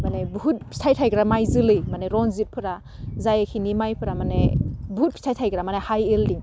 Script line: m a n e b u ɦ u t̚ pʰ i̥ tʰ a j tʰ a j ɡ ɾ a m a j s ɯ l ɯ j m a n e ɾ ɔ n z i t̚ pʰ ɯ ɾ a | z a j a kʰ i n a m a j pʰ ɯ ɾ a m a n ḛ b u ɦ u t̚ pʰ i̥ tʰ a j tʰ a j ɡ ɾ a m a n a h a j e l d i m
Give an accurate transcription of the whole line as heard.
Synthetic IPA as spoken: m a n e b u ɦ u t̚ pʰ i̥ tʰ a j tʰ a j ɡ ɾ a m a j z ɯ l ɯ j m a n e ɾ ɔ n z i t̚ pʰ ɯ ɾ a | z a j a kʰ i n i m a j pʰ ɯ ɾ a m a n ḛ b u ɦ u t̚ pʰ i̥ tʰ a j tʰ a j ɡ ɾ a m a n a h a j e l d i ŋ